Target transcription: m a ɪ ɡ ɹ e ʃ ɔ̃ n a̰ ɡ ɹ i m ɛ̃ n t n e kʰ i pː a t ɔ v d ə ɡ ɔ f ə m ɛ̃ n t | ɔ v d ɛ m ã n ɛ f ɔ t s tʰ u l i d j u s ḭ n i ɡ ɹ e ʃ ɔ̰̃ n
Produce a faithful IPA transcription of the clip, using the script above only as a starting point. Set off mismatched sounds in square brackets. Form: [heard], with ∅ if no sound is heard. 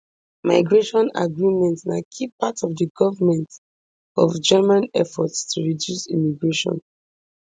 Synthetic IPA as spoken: m a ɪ ɡ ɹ e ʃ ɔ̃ n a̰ ɡ ɹ i m ɛ̃ n t n [a] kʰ i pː a t ɔ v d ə ɡ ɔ [v] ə m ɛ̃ n t | ɔ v [d͡ʒ] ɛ m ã n ɛ f ɔ t s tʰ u [ɹ] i d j u s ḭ [m] i ɡ ɹ e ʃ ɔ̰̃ n